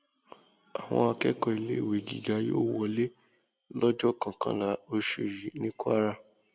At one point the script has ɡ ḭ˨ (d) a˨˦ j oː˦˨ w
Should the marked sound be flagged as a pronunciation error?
yes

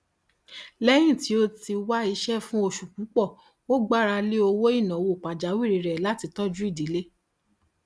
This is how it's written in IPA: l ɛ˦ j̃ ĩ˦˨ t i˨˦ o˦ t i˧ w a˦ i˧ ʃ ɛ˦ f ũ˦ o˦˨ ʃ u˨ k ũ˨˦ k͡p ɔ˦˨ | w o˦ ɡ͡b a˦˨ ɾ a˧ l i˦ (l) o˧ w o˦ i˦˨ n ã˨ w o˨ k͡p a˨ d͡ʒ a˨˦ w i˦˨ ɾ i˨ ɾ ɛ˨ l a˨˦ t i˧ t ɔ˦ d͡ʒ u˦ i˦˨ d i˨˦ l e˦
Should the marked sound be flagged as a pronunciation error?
yes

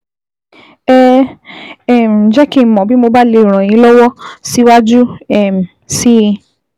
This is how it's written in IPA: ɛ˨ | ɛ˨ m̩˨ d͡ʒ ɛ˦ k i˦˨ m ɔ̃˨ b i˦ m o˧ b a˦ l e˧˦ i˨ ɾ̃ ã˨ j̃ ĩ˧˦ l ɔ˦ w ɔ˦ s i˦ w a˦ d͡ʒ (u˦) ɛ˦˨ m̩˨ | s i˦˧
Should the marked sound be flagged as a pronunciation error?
no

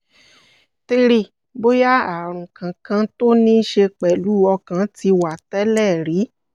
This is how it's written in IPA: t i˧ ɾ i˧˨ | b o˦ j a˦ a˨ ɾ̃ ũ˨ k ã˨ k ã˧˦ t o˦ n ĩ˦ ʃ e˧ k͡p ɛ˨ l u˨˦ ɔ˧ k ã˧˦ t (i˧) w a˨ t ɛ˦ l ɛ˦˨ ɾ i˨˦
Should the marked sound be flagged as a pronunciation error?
no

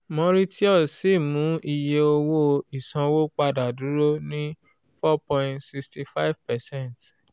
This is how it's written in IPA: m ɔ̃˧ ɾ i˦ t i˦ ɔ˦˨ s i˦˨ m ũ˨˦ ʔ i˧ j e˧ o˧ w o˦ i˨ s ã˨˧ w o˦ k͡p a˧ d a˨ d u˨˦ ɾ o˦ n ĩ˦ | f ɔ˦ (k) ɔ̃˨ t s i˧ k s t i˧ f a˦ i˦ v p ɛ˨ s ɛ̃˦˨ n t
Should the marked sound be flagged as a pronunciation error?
yes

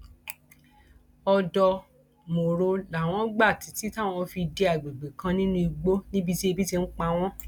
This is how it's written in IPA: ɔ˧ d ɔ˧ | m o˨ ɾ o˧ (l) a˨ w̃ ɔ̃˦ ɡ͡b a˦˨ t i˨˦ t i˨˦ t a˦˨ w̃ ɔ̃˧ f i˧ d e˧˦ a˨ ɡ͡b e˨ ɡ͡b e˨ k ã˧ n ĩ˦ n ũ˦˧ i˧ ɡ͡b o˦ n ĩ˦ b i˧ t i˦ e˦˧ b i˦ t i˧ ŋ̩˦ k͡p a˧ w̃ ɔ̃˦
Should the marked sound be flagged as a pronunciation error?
no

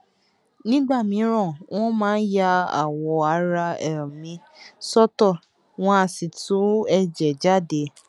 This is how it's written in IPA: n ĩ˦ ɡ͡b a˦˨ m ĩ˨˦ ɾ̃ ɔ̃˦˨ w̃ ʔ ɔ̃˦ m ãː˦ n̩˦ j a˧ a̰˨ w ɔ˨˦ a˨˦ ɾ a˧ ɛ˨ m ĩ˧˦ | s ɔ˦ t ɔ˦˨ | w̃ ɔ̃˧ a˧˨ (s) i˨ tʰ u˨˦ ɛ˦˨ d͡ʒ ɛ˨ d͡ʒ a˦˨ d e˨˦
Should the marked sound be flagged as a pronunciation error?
no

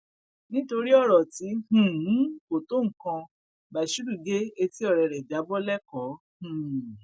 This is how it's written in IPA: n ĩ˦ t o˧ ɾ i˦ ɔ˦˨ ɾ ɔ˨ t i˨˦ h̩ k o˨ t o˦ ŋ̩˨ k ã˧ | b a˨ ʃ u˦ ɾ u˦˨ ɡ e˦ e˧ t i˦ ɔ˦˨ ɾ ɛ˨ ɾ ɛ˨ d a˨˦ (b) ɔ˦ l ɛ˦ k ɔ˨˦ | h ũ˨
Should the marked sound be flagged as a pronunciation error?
no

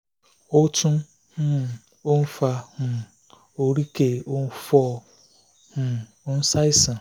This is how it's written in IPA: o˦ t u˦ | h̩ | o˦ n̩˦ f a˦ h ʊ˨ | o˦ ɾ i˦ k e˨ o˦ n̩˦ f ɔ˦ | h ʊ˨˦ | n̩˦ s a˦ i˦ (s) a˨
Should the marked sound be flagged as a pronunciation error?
no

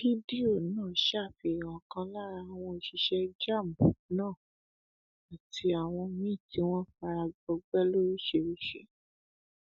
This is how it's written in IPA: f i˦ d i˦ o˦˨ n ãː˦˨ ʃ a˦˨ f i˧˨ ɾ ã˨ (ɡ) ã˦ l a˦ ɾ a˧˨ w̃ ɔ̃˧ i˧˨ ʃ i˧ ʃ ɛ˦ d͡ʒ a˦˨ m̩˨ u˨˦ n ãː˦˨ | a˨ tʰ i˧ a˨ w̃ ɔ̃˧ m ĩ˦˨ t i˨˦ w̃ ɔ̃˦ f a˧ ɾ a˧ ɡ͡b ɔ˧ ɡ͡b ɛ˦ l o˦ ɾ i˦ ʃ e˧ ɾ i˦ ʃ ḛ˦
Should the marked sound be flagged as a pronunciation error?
yes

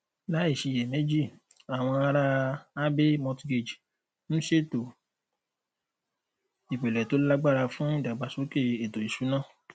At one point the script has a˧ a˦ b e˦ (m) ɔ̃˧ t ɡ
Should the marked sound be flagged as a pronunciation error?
no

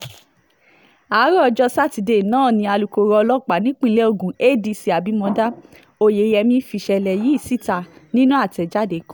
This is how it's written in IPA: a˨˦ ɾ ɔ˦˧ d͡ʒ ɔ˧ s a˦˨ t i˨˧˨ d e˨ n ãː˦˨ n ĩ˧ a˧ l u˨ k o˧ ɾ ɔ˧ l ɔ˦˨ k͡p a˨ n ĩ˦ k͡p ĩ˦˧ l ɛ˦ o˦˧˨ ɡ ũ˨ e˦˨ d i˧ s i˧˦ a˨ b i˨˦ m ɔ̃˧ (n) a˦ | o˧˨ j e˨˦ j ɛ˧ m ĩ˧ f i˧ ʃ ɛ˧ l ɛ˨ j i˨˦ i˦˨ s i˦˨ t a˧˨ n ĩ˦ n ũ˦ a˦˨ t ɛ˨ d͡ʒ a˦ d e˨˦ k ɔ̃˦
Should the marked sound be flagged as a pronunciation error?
yes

